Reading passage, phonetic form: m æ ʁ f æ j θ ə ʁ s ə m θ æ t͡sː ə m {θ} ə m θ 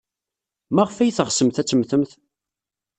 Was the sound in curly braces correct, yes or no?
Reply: yes